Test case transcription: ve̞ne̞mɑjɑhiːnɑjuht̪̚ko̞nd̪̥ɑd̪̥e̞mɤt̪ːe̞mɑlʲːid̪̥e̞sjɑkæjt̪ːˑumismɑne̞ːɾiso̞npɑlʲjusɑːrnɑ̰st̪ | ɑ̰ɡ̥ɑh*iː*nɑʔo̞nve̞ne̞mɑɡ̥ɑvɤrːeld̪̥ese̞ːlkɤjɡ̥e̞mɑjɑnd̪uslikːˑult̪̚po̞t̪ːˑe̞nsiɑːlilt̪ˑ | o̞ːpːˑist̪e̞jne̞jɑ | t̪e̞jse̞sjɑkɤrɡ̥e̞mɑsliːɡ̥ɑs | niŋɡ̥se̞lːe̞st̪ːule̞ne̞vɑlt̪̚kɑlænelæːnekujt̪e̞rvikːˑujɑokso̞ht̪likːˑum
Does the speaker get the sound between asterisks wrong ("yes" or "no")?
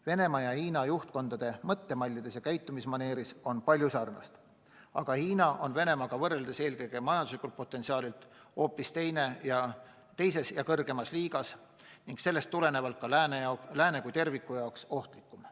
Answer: no